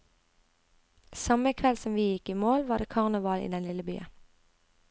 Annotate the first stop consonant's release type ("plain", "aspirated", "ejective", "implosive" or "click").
aspirated